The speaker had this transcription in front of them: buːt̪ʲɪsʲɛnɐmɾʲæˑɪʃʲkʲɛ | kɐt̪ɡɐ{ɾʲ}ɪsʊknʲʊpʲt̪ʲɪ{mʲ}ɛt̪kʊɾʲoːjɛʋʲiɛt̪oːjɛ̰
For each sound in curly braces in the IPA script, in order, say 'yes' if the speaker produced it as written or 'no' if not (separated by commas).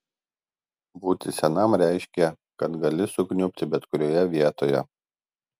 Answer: no, no